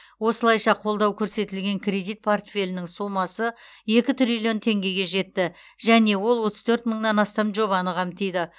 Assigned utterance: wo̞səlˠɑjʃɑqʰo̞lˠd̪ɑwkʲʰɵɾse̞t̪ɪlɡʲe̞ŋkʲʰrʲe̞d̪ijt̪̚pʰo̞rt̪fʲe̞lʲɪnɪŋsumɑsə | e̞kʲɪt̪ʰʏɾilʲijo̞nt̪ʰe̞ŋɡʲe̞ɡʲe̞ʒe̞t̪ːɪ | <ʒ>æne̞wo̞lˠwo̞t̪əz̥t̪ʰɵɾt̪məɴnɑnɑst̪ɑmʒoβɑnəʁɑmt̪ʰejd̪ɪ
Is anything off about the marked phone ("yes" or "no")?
no